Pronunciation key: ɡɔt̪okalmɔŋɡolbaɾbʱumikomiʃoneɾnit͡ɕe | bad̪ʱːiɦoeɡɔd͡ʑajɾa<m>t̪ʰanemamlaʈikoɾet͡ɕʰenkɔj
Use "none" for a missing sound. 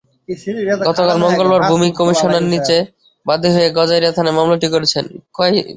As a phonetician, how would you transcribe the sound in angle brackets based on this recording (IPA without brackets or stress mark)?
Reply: none